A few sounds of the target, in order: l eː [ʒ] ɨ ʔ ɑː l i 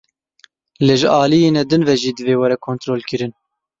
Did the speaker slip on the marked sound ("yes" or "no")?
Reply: no